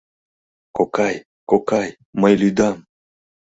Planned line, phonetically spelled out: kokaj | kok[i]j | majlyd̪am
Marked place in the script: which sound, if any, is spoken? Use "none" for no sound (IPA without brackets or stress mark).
a